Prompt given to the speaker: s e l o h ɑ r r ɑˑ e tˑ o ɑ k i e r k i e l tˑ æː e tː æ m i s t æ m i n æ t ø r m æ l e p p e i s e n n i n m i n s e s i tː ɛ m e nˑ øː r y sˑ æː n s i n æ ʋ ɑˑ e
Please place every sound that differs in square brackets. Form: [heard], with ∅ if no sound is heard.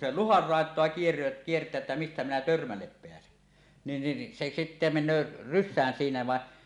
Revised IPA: s e l [u] h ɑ r r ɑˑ e tˑ o ɑ k i e r k i e [r] tˑ æː e tː æ m i s t æ m i n æ t ø r m æ [lː] e p p e [æ] s e n n i n [n] i n s e s i tː [e] m e nˑ øː r y sˑ æː n s [iː] n æ ʋ ɑˑ e